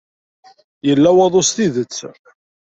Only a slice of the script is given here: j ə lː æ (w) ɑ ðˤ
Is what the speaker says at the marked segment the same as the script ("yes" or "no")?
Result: yes